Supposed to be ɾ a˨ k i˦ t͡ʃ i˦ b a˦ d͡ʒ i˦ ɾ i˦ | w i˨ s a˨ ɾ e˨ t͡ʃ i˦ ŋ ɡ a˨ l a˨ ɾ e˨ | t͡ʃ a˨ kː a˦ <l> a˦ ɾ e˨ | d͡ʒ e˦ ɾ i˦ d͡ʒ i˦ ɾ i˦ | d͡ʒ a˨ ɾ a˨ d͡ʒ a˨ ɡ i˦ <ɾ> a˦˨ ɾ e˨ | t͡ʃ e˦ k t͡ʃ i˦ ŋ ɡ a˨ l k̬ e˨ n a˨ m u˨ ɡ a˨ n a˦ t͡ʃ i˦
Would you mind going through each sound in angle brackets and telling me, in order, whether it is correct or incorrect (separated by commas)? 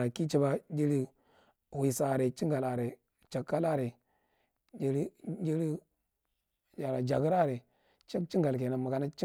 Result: correct, correct